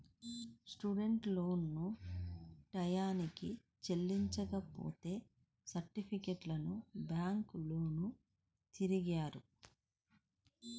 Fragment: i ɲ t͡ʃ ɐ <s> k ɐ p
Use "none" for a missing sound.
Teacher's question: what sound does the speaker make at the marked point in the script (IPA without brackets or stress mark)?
none